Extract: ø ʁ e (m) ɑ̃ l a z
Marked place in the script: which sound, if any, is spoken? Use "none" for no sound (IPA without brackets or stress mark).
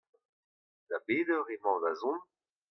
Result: m